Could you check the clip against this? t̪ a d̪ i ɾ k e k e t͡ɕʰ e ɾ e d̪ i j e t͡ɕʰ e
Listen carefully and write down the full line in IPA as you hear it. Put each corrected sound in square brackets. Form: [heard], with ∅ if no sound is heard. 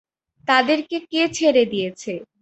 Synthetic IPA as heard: t̪ a d̪ [e] ɾ k e k e t͡ɕʰ e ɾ e d̪ i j e t͡ɕʰ e

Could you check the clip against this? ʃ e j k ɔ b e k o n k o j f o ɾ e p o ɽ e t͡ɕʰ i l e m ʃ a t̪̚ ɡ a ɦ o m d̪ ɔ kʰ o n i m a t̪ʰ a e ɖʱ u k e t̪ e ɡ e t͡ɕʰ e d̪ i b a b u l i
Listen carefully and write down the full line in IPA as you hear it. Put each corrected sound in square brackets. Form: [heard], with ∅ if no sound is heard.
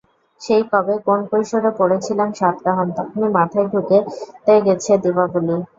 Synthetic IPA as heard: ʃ e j k ɔ b e k o n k o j [ʃ] o ɾ e p o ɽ e t͡ɕʰ i l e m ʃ a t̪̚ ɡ a ɦ o m [t̪] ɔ kʰ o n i m a t̪ʰ a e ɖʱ u k e t̪ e ɡ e t͡ɕʰ e d̪ i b a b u l i

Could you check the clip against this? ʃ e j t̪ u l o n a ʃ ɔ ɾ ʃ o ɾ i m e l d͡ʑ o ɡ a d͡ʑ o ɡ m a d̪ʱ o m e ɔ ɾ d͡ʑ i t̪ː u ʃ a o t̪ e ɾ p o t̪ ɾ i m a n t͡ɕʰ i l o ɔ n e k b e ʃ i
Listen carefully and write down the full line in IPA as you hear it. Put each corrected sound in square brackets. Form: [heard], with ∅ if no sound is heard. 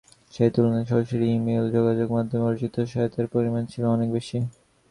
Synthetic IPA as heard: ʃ e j t̪ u l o n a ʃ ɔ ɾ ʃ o ɾ i m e l d͡ʑ o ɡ a d͡ʑ o ɡ m a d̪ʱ o m e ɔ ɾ d͡ʑ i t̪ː [o] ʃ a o t̪ e ɾ p o [∅] ɾ i m a n t͡ɕʰ i l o ɔ n e k b e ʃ i

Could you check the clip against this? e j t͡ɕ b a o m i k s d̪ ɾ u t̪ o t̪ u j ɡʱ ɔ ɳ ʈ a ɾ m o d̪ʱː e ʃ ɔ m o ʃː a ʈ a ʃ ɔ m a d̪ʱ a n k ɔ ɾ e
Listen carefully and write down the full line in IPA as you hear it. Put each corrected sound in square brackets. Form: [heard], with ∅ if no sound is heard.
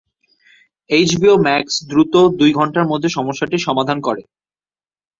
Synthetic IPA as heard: e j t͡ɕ b [i] o m [ɛ] k s d̪ ɾ u t̪ o [d̪] u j ɡʱ ɔ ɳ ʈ a ɾ m o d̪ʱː e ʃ ɔ m o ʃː a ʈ [i] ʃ ɔ m a d̪ʱ a n k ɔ ɾ e

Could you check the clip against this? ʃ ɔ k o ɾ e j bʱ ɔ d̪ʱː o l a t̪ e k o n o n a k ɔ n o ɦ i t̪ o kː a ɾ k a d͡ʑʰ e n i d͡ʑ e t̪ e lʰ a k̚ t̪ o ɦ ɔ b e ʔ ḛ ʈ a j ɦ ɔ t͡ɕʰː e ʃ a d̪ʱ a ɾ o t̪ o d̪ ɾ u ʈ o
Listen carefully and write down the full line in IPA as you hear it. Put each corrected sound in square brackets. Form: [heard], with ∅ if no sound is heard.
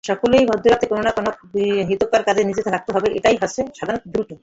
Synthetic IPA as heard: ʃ ɔ k o [l] e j bʱ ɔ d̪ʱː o [ɾ] a t̪ e k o n o n a k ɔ n o ɦ i t̪ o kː a ɾ k a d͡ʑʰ e n i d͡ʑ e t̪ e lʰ a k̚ t̪ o ɦ ɔ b e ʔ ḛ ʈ a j ɦ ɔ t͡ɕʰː e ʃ a d̪ʱ a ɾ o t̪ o d̪ ɾ u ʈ o

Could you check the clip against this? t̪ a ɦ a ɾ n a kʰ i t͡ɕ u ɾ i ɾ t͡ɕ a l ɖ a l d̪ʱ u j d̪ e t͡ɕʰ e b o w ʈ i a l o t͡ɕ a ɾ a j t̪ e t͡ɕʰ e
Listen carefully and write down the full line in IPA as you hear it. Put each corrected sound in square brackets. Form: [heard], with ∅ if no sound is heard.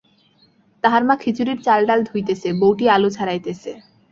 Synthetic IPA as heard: t̪ a ɦ a ɾ [m] a kʰ i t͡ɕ u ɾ i ɾ t͡ɕ a l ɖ a l d̪ʱ u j [t̪] e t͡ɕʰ e b o w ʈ i a l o [t͡ɕʰ] a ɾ a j t̪ e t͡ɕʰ e

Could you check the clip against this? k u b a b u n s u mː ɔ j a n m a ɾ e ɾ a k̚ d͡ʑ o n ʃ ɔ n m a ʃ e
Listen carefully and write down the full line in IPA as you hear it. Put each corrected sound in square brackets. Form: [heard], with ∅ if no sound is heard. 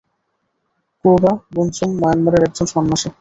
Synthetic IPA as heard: k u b a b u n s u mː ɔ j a n m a ɾ e ɾ [ɛ] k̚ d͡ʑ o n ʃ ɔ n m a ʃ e

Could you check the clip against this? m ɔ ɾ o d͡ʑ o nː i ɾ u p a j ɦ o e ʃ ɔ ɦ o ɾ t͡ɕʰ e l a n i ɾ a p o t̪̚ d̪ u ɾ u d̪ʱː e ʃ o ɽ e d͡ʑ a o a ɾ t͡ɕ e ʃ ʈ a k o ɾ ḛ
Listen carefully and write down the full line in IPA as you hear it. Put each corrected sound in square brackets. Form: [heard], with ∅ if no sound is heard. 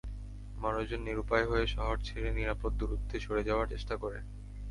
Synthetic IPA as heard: m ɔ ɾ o d͡ʑ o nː i ɾ u p a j ɦ o e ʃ ɔ ɦ o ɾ t͡ɕʰ e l [e] n i ɾ a p o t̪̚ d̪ u ɾ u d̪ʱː e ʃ o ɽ e d͡ʑ a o a ɾ t͡ɕ e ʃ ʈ a k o ɾ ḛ

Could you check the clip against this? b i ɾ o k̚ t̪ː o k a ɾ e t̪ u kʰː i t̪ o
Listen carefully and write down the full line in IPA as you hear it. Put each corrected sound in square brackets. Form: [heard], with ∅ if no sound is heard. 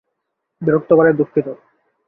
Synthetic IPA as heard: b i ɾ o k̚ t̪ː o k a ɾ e [d̪] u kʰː i t̪ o

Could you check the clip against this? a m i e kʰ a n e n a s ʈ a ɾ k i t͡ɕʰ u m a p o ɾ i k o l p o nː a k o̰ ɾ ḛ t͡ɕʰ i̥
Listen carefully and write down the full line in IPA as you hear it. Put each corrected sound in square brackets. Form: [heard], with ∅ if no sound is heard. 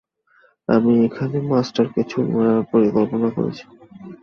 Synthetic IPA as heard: a m i e kʰ a n e [m] a s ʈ a ɾ k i t͡ɕʰ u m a p o ɾ i k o l p o [n] a k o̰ ɾ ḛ t͡ɕʰ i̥

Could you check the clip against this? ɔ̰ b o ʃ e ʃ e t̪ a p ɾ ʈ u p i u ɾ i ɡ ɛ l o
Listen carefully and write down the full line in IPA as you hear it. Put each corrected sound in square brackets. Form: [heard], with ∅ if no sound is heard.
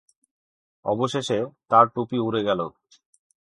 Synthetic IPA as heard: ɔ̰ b o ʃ e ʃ e t̪ a [∅] ɾ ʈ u p i u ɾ [e] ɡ ɛ l o

